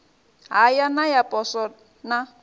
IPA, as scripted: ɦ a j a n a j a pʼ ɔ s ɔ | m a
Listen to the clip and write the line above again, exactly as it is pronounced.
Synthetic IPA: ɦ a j a n a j a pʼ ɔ s ɔ | n a

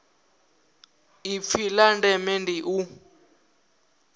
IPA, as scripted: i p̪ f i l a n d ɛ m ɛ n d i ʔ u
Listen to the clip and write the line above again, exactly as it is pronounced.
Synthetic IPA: i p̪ f i l a n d ɛ m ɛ n d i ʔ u

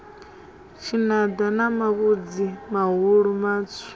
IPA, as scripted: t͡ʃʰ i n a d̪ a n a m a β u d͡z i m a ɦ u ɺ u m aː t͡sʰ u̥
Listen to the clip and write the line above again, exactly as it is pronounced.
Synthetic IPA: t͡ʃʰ i n a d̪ a n a m a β u d͡z i m a ɦ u ɺ u m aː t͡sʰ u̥

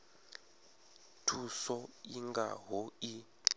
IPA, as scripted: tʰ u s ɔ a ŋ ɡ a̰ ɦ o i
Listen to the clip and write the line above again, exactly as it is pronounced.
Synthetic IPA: tʰ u s ɔ i ŋ ɡ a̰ ɦ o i

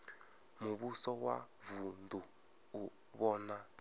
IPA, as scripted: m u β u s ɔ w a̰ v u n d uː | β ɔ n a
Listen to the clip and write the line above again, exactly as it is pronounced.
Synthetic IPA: m u β u s ɔ w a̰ v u n d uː | β ɔ n a

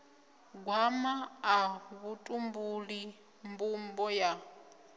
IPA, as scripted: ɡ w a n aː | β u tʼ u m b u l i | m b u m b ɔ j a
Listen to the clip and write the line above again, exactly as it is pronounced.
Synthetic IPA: ɡ w a m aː | β u tʼ u m b u l i | m b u m b ɔ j a

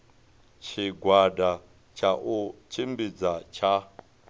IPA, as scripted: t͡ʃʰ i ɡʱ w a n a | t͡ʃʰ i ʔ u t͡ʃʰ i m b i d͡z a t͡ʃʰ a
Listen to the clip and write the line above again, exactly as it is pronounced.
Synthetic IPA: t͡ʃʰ i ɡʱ w a d a | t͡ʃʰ a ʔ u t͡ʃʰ i m b i d͡z a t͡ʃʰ a

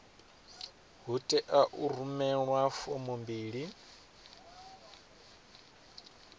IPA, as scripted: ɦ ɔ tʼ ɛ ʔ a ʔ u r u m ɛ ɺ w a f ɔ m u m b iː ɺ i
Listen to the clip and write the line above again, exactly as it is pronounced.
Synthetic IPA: ɦ u tʼ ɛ ʔ a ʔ u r u m ɛ ɺ w a f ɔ m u m b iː ɺ i

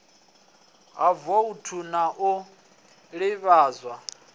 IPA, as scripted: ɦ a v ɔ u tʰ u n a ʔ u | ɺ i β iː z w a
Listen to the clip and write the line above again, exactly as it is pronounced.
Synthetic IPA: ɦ a v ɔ u tʰ u n a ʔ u | ɺ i β aː z w a

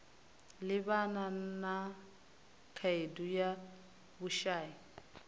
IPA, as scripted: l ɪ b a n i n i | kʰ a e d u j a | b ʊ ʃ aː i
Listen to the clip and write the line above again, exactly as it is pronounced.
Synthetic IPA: l ɪ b a n a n a | kʰ a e d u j a | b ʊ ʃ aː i

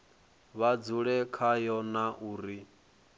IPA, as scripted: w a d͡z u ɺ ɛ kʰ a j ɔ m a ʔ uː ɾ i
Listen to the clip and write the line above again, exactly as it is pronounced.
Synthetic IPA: β a d͡z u ɺ ɛ kʰ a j ɔ n a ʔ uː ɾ i

